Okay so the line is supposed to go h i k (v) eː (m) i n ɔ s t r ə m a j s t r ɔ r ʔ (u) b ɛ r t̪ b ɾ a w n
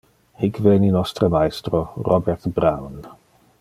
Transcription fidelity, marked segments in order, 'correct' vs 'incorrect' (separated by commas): correct, incorrect, incorrect